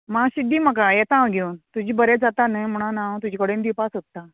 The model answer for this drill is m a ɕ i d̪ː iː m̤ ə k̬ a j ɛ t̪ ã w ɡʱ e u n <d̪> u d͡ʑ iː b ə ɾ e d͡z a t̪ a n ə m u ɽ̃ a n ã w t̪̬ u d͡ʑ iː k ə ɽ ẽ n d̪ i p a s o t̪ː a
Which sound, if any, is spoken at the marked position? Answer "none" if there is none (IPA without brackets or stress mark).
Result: t̪